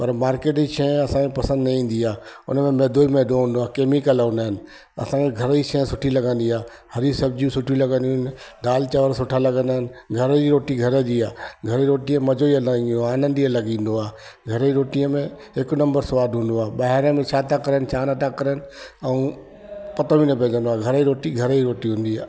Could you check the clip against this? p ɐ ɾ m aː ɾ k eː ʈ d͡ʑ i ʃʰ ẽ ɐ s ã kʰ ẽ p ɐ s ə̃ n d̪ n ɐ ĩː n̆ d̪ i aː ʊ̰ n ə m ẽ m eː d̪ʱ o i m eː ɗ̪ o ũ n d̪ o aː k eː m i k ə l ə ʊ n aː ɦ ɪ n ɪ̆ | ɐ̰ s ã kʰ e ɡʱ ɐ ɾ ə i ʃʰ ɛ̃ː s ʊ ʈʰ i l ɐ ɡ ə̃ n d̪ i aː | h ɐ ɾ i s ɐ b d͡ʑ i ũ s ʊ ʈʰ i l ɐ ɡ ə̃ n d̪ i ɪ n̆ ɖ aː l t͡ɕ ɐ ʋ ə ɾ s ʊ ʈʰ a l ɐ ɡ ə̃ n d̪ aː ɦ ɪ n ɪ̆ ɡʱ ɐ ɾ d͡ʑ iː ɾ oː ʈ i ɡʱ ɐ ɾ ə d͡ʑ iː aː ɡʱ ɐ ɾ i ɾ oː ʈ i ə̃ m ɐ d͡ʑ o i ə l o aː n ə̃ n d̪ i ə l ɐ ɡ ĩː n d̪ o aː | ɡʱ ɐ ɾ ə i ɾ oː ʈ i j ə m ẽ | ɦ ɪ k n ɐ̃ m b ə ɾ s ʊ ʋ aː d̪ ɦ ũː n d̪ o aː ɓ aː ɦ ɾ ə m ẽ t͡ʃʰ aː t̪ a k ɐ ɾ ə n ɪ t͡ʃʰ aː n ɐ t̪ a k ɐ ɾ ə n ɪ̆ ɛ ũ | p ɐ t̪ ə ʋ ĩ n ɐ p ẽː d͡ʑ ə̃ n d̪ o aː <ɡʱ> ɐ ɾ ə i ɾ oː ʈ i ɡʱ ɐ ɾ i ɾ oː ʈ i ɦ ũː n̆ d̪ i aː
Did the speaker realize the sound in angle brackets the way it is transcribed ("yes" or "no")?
yes